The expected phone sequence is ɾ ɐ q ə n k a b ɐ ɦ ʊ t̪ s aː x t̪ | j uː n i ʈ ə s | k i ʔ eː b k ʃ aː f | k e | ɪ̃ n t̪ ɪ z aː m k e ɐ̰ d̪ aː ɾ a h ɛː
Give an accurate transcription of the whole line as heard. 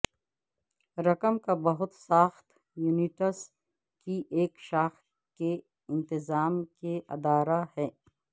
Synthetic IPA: ɾ ɐ k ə m k a b ɐ ɦ ʊ t̪ s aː x t̪ | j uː n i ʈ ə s | k i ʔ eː k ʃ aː x | k e | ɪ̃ n t̪ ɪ z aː m k e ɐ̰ d̪ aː ɾ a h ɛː